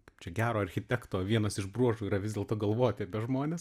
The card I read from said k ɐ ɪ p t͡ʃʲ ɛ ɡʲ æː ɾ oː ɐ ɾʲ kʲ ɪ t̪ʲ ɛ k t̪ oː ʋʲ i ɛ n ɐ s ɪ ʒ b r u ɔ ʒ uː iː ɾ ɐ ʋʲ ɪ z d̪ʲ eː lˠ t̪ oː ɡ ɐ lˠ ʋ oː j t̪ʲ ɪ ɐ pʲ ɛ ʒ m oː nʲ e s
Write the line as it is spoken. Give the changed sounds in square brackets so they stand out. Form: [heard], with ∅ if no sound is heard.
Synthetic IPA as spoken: k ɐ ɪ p t͡ʃʲ ɛ ɡʲ æː ɾ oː ɐ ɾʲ [xʲ] ɪ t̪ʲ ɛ k t̪ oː ʋʲ i ɛ n ɐ s ɪ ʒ b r u ɔ ʒ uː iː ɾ ɐ ʋʲ ɪ z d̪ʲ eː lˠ t̪ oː ɡ ɐ lˠ ʋ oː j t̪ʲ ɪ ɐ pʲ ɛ ʒ m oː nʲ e s